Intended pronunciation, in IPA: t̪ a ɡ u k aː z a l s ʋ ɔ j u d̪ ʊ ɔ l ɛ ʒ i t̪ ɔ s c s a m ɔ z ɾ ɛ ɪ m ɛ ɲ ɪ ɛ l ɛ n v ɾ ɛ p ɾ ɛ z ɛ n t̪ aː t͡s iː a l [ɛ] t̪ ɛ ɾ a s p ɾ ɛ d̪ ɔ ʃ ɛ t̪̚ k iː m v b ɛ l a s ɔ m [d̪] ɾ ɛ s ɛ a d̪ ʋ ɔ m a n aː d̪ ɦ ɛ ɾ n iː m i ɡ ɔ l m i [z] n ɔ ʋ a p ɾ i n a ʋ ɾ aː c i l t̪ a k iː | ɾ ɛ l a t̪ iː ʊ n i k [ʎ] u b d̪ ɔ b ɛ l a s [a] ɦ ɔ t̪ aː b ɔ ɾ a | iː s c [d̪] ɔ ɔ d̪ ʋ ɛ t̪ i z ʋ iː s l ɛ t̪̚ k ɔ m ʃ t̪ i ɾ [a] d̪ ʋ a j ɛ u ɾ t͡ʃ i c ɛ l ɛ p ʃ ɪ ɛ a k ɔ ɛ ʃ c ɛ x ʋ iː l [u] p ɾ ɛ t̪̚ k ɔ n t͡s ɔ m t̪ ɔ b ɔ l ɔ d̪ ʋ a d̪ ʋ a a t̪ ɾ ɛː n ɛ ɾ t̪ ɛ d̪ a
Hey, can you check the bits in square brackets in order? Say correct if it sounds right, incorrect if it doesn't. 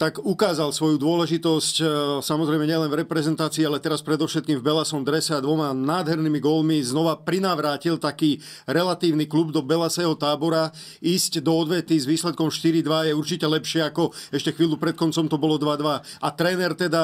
correct, correct, correct, incorrect, incorrect, correct, incorrect, correct

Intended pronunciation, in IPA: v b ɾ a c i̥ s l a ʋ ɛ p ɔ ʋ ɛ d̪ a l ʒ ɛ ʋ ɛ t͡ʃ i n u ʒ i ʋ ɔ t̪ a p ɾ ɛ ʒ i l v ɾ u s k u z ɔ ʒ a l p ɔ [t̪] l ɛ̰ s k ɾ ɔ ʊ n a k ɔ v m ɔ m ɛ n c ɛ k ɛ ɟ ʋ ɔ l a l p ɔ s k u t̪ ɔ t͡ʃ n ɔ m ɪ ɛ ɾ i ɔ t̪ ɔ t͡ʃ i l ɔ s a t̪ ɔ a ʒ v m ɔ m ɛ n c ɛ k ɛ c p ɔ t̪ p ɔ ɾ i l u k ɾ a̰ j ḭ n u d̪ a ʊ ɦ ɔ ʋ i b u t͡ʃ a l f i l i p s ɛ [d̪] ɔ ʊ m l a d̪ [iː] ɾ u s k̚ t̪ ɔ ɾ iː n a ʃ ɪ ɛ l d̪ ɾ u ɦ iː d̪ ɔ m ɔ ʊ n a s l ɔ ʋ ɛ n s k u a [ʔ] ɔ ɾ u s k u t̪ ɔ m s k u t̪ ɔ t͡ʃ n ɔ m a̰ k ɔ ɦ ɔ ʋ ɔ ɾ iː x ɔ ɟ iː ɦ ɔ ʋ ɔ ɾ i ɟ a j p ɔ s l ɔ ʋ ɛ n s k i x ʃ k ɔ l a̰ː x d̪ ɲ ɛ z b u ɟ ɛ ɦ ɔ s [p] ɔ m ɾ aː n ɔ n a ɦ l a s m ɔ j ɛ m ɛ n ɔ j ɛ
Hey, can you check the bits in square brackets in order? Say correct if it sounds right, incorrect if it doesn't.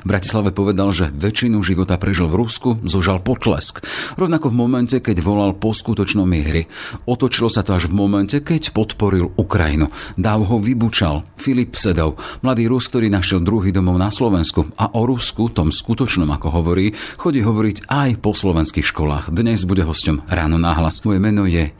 correct, correct, correct, correct, incorrect

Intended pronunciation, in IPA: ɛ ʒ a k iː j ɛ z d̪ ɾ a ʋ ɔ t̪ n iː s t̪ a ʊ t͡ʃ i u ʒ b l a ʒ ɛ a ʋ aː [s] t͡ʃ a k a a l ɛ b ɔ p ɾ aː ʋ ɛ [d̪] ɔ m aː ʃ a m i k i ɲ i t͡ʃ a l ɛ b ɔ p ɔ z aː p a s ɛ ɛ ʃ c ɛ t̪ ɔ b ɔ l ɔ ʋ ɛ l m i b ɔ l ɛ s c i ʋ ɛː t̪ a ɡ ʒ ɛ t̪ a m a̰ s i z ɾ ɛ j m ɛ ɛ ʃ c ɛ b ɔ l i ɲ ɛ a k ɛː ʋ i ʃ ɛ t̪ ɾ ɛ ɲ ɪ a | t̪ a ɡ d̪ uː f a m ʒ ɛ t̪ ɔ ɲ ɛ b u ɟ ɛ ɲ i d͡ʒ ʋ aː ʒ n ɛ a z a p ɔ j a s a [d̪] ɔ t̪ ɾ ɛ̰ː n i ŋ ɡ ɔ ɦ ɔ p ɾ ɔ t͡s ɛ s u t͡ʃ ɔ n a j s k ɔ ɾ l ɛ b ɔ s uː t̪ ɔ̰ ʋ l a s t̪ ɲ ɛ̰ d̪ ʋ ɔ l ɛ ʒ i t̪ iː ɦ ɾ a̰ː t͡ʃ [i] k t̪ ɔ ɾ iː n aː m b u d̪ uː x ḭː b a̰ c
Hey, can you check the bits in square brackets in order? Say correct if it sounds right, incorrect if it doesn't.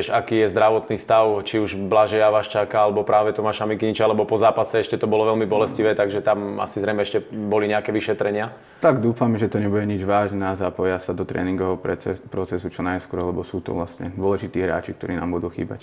incorrect, incorrect, correct, correct

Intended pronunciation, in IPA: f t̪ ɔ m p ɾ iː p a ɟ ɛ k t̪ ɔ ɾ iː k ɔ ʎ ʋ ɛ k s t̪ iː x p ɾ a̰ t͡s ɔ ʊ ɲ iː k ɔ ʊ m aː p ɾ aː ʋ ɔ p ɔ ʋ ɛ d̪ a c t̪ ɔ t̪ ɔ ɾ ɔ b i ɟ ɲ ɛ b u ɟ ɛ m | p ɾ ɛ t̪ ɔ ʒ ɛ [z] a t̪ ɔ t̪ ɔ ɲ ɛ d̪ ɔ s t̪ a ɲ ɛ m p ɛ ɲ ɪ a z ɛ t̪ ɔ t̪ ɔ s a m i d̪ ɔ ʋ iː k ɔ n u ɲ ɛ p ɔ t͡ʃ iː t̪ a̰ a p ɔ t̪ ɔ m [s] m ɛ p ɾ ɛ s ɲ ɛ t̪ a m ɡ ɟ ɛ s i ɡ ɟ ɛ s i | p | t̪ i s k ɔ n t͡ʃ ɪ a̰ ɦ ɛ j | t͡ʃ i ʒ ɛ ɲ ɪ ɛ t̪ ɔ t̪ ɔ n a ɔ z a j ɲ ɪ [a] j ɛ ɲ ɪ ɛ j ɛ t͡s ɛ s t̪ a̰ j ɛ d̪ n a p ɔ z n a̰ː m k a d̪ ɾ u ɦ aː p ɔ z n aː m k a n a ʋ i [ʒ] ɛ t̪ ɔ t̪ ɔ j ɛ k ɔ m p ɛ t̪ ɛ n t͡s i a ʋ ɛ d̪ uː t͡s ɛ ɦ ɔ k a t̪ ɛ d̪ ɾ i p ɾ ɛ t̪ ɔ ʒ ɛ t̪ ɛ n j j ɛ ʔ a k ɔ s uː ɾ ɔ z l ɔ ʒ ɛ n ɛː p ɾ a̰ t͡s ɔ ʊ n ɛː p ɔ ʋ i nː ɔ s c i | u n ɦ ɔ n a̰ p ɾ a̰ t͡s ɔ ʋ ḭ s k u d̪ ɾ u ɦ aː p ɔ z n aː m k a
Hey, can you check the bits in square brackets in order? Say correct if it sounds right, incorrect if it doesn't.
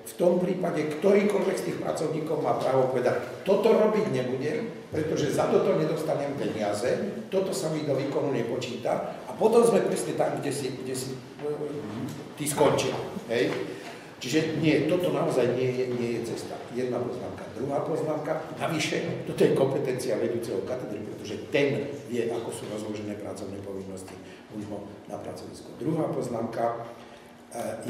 correct, incorrect, incorrect, incorrect

